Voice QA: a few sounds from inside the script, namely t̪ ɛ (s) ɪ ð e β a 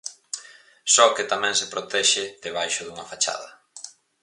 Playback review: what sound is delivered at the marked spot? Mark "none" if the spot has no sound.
ʃ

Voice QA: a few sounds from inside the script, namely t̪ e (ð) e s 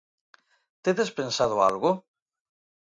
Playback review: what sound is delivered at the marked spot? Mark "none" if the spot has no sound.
ð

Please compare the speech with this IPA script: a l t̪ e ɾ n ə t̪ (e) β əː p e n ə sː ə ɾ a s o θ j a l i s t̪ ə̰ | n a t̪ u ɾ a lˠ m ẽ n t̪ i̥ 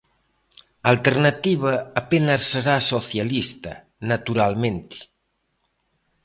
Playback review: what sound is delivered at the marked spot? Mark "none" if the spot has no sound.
i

